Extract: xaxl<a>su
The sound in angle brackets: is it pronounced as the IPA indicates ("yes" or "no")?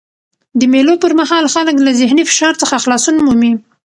no